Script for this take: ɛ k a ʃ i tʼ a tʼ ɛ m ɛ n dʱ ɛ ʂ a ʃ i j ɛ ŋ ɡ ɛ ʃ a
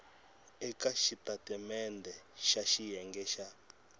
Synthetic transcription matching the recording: ɛ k a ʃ i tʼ a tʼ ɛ m ɛ n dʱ ɛ ʃ a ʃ i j ɛ ŋ ɡ ɛ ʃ a